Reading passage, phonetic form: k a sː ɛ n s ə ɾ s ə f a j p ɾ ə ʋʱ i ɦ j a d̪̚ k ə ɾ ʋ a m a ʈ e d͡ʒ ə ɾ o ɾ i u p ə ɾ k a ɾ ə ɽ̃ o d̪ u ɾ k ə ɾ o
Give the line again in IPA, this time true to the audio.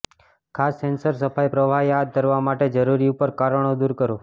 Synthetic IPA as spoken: kʰ a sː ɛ n s ə ɾ s ə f a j p ɾ ə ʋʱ a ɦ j a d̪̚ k ə ɾ ʋ a m a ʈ e d͡ʒ ə ɾ u ɾ i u p ə ɾ k a ɾ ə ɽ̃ o d̪ u ɾ k ə ɾ o